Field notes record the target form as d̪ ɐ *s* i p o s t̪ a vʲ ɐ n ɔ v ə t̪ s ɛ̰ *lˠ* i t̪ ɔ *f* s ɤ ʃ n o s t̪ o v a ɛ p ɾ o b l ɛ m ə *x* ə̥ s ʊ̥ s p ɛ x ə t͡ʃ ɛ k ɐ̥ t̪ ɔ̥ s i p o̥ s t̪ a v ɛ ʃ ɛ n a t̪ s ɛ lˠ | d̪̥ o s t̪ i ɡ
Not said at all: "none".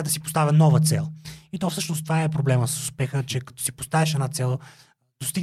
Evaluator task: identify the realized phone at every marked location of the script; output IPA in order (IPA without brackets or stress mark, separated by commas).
s, lˠ, f, s